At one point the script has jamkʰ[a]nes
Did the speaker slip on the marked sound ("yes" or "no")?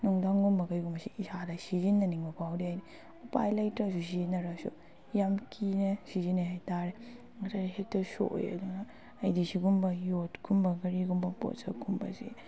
yes